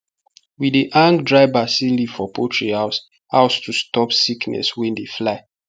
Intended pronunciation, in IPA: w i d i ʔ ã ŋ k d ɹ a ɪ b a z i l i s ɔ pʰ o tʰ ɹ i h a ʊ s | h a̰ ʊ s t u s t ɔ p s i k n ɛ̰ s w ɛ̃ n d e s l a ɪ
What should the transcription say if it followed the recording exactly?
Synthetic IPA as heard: w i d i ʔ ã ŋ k d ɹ a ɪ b a s i l i f ɔ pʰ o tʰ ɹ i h a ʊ s | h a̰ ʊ s t u s t ɔ p s i k n ɛ̰ s w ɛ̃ n d e f l a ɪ